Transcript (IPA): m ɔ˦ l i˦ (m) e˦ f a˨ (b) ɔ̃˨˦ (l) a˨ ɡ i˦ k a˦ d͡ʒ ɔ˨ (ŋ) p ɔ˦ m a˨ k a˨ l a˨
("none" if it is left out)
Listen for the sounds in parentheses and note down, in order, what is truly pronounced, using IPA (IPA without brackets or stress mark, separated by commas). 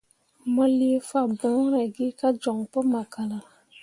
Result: none, b, ɾ, ŋ